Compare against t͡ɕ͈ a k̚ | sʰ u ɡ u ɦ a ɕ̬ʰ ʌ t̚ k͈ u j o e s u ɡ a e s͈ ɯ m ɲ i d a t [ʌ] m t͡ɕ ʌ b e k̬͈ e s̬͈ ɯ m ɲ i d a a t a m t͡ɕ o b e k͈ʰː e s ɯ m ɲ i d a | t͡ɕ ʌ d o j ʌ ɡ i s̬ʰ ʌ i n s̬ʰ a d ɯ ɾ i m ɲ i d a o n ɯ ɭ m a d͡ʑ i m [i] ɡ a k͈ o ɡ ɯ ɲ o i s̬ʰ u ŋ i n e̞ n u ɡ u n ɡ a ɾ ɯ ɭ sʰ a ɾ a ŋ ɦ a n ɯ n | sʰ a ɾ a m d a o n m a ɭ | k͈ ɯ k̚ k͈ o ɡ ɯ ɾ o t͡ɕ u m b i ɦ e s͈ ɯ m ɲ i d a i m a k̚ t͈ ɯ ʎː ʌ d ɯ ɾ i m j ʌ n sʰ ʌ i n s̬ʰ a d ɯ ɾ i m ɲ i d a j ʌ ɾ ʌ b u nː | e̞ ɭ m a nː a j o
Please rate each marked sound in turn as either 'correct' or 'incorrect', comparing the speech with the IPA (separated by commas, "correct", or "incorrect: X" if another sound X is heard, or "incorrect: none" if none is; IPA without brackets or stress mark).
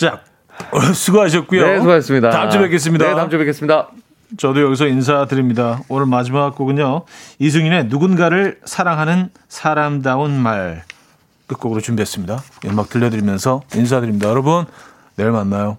incorrect: a, incorrect: a